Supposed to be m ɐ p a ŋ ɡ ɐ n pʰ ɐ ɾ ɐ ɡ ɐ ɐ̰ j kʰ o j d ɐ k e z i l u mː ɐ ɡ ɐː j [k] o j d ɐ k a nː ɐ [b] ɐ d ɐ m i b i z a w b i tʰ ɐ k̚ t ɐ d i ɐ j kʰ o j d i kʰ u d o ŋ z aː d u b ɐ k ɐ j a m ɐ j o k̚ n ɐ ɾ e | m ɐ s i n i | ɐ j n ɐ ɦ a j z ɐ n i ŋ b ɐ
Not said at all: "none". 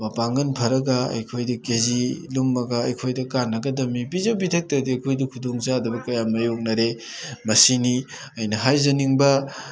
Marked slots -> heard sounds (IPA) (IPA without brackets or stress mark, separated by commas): kʰ, ɡ